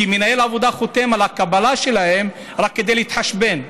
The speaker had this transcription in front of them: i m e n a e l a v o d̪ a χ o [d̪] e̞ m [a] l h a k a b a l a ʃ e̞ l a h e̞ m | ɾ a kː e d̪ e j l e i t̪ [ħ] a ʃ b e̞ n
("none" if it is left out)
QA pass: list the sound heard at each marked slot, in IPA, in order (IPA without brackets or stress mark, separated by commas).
t̪, a, ħ